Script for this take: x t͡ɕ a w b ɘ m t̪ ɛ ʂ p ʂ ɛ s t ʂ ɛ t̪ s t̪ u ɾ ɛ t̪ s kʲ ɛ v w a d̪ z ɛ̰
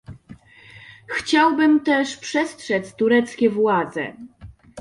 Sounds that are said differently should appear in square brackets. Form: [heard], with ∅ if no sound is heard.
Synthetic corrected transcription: x t͡ɕ a w b ɘ m t̪ ɛ ʂ p ʂ ɛ s t ʂ ɛ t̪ s t̪ u ɾ ɛ t̪ s kʲ ɛ v w a d̪ z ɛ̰